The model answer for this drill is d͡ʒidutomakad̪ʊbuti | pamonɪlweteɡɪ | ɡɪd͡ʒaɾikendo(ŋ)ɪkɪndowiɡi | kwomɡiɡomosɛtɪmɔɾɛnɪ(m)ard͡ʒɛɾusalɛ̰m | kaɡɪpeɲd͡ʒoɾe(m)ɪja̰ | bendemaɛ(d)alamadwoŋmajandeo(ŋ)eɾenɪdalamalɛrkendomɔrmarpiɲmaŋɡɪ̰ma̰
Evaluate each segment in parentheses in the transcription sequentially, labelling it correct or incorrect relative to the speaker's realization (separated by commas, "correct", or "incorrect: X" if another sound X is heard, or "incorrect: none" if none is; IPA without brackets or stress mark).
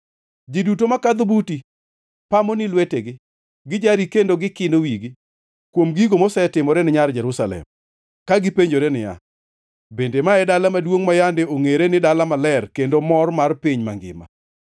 incorrect: ɡ, incorrect: ɲ, incorrect: n, correct, correct